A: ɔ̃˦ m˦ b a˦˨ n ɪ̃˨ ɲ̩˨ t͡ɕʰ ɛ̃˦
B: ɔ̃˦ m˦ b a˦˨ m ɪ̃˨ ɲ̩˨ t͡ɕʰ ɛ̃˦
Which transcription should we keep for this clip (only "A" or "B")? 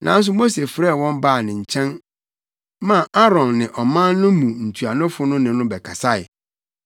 A